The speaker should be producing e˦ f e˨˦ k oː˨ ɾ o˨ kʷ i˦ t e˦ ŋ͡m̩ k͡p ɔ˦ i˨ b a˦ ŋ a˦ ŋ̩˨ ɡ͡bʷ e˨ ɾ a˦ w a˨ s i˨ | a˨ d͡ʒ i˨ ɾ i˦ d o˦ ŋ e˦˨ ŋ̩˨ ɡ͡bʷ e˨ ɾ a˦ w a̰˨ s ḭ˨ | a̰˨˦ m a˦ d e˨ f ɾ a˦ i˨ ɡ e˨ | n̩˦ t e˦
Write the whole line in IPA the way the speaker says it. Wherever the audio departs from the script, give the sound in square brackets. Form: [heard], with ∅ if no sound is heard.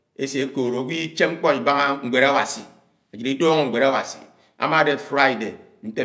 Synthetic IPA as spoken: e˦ [s] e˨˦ k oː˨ ɾ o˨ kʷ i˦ [t͡ʃ] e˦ ŋ͡m̩ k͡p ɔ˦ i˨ b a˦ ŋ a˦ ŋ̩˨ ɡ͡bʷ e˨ ɾ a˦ w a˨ s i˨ | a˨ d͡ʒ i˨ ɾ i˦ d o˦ ŋ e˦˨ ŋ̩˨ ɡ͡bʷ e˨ ɾ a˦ w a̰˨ s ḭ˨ | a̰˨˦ m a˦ d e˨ f ɾ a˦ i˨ [d] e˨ | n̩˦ t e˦

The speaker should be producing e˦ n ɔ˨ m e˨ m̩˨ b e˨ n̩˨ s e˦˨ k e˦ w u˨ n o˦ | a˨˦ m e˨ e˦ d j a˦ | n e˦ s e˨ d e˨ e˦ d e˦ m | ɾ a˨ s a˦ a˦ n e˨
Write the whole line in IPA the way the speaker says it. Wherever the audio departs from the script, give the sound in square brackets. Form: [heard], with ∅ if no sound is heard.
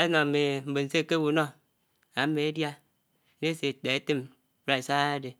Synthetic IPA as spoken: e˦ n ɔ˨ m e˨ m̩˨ b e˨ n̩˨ s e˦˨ k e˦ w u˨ n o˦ | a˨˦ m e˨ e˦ d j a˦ | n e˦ s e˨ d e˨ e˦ [t] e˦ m | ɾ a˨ s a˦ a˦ [d] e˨

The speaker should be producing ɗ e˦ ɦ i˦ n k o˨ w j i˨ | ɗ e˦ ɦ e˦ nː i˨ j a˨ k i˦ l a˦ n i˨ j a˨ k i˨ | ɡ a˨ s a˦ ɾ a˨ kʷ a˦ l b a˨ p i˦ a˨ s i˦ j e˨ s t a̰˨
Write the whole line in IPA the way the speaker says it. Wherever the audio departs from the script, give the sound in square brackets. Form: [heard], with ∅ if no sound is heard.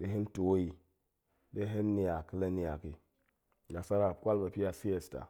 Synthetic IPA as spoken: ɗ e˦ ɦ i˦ n [t] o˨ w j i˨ | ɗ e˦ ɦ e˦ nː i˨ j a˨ k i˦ l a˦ n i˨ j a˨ k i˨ | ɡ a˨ s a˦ ɾ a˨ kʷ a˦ l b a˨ p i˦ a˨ s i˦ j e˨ s t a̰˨

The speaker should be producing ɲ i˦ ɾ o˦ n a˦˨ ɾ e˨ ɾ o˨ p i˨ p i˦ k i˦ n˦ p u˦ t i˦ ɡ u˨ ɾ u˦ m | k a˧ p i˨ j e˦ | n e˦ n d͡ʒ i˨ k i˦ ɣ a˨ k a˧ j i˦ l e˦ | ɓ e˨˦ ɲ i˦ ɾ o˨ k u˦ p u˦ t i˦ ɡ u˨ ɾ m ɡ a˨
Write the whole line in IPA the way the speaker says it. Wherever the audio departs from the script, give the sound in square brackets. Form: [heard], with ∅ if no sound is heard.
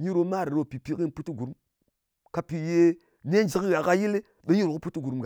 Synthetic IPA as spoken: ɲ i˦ ɾ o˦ [m] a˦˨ ɾ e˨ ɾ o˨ p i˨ p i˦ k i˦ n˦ p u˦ t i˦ ɡ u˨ ɾ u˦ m | k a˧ p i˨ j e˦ | n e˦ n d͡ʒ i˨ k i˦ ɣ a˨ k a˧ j i˦ l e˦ | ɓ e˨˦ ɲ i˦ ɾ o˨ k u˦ p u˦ t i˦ ɡ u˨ ɾ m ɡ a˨

